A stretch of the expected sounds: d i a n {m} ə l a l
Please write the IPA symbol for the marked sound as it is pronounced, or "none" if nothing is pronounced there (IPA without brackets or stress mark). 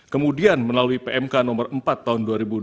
m